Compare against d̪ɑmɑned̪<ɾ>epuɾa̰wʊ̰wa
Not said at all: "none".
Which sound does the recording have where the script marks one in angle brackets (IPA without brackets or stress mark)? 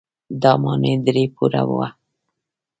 ɾ